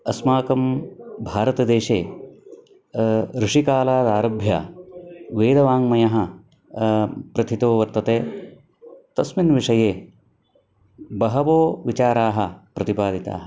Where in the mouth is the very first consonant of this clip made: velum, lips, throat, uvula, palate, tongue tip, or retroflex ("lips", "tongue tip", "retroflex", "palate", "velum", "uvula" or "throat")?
tongue tip